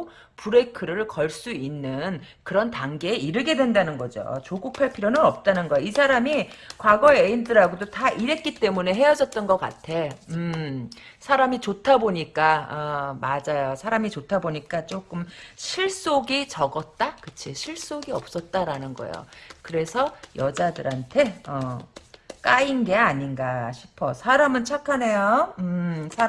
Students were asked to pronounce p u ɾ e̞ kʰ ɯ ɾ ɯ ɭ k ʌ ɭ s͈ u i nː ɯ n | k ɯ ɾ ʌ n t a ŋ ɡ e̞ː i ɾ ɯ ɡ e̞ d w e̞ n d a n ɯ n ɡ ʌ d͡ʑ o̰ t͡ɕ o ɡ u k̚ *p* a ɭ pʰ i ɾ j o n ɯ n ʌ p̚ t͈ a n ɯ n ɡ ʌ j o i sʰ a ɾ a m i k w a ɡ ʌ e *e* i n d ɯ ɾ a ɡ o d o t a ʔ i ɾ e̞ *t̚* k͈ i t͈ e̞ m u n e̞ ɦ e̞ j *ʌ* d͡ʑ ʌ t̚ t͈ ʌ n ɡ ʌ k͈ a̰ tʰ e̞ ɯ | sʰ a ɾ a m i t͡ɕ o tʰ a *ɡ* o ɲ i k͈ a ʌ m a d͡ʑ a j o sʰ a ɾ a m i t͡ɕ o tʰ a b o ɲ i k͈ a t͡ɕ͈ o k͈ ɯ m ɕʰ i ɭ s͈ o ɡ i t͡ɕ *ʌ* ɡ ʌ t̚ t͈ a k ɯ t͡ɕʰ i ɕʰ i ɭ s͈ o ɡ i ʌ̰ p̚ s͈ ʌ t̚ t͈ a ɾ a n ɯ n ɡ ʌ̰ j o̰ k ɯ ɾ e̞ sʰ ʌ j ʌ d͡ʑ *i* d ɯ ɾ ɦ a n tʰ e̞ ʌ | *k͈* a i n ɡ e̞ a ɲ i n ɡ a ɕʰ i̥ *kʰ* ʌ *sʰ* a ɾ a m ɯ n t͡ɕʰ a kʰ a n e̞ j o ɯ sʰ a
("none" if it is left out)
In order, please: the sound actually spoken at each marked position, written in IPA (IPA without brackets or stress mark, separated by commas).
pʰ, e, t̚, ʌ, b, ʌ, a, k͈, pʰ, sʰ